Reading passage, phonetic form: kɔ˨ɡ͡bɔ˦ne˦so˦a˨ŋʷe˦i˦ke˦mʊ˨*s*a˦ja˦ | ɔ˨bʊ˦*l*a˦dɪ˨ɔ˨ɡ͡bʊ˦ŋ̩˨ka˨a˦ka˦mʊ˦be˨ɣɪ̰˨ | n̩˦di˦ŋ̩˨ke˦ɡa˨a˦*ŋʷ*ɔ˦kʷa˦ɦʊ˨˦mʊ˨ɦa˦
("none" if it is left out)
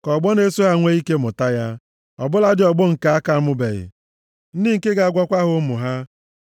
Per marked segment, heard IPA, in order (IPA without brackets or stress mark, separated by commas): t, l, ɡʷ